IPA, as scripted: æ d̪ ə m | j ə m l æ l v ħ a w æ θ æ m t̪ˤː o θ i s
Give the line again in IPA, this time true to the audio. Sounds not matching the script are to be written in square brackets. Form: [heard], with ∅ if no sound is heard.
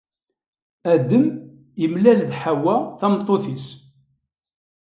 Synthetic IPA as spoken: æ d̪ ə m | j ə m l æ l [ð] ħ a w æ θ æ m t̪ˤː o θ i s

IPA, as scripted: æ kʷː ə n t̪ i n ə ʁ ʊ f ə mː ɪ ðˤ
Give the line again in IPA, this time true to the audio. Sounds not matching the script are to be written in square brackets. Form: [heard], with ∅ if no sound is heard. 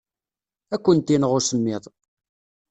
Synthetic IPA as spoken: æ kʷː ə n t̪ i n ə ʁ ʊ [s] ə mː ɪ ðˤ

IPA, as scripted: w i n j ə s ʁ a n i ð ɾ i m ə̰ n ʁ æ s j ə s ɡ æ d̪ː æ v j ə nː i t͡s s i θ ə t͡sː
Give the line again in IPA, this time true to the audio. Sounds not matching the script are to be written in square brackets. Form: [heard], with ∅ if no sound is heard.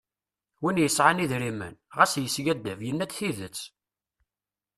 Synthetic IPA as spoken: w i n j ə s [ʕ] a n i ð ɾ i m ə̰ n ʁ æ s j ə s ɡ æ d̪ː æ v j ə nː [æ] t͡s [θ] i [ð] ə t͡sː

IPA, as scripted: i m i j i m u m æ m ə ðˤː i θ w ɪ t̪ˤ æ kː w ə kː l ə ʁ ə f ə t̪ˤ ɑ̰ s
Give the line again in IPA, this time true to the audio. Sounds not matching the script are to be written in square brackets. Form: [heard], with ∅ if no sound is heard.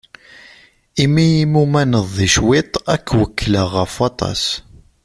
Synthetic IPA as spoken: i m i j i m u m æ [n] ə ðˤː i [ʃ] w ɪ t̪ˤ æ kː w ə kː l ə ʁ ə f [ɑ] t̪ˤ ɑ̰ s

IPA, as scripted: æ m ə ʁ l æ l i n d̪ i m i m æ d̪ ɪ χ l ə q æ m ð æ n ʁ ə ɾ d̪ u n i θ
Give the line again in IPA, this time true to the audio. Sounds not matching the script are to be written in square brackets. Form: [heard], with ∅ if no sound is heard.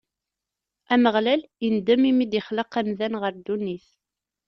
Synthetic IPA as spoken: æ m ə ʁ l æ l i n d̪ [æ] m i m [i] d̪ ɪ χ l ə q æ m ð æ n ʁ ə ɾ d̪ u n i θ

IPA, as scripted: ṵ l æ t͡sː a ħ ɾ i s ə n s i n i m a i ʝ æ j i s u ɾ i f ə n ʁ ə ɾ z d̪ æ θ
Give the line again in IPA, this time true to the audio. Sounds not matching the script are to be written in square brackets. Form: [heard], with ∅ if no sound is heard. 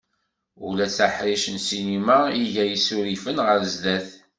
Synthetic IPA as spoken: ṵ l æ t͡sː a ħ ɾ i [ʃ] ə n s i n i m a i ʝ æ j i s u ɾ i f ə n ʁ ə ɾ z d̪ æ θ

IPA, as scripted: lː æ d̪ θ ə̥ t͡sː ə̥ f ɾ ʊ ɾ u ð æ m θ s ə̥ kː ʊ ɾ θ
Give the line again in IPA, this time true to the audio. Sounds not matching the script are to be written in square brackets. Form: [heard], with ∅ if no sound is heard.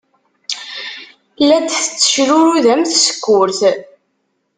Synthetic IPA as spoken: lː æ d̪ θ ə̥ t͡sː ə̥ [ʃ] ɾ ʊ ɾ u ð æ m θ s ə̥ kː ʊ ɾ θ

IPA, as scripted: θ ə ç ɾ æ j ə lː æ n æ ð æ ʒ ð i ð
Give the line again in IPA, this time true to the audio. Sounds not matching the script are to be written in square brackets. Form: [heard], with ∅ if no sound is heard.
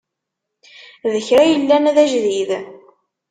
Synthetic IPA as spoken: [ð] ə ç ɾ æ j ə lː æ n æ ð æ ʒ ð i ð

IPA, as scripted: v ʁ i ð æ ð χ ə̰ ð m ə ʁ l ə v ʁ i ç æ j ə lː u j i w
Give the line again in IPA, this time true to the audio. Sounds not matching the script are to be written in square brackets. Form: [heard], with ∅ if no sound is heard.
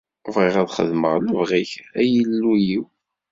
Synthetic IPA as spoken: v ʁ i [ʁ] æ ð χ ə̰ ð m ə ʁ l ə v ʁ i ç æ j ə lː u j i w

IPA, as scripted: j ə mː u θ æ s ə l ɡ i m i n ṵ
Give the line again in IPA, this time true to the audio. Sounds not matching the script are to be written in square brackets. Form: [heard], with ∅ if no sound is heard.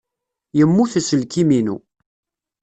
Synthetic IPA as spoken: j ə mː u θ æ s ə l [k] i m i n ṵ

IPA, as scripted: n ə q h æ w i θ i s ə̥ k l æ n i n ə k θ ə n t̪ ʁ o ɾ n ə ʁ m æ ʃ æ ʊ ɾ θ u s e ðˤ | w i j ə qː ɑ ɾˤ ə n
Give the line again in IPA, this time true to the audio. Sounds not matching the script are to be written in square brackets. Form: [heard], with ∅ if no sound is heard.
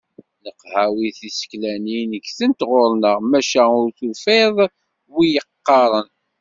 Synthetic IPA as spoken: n ə q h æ w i θ i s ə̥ k l æ n i n ə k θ ə n t̪ ʁ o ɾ n ə ʁ m æ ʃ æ ʊ ɾ θ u [f] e ðˤ | w i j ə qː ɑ ɾˤ ə n

